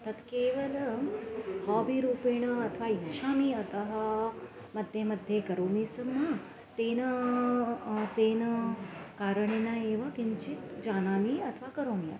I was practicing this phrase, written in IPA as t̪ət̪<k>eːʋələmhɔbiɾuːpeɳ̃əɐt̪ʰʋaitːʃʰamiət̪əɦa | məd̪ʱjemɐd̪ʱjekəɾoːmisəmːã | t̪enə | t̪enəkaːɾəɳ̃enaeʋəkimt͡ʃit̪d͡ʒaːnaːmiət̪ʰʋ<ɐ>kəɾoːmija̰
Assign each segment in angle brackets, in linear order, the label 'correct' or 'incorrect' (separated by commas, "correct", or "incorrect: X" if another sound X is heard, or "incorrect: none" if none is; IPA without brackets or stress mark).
correct, incorrect: a